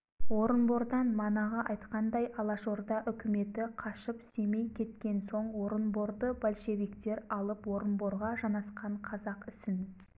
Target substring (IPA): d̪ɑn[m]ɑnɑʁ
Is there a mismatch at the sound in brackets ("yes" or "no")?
no